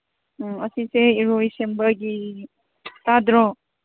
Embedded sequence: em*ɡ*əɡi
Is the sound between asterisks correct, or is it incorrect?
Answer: incorrect